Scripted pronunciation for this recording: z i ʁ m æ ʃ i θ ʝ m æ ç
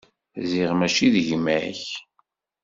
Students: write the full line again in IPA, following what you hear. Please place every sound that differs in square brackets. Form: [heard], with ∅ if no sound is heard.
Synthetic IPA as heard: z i ʁ m æ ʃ i [ð] ʝ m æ ç